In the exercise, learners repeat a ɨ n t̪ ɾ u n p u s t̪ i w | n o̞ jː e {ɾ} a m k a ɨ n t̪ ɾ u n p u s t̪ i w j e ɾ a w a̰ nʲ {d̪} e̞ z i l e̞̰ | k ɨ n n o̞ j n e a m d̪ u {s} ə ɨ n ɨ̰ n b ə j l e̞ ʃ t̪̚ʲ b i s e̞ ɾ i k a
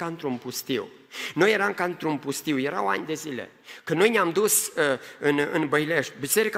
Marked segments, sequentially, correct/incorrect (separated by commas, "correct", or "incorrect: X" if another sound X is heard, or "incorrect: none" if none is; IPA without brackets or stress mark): correct, correct, correct